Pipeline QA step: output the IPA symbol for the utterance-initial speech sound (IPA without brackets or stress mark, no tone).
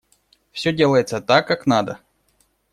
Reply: f